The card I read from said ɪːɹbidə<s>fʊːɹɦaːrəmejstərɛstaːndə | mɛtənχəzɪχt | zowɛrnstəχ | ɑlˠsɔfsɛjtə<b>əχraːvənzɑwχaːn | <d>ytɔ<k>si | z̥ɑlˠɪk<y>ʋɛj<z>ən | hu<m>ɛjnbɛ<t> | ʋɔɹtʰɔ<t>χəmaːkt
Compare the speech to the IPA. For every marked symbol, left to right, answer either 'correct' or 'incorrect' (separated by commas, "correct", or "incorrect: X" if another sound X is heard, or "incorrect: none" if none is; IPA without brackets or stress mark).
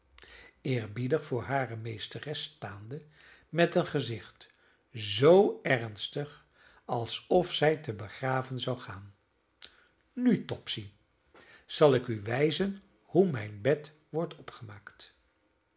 incorrect: χ, correct, incorrect: n, incorrect: p, correct, correct, correct, correct, incorrect: p